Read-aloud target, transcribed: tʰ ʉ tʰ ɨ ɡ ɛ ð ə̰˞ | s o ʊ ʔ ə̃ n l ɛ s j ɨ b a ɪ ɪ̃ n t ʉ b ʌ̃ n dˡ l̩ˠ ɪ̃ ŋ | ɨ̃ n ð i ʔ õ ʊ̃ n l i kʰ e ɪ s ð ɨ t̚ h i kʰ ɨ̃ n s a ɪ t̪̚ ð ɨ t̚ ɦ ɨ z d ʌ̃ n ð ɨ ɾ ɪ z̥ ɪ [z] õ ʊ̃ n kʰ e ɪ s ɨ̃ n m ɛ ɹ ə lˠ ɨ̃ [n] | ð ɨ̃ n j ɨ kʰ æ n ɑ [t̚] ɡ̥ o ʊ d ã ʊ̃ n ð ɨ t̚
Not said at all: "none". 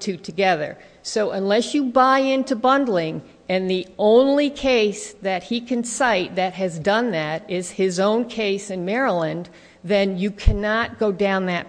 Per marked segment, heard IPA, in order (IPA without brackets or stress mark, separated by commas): z, n, t̚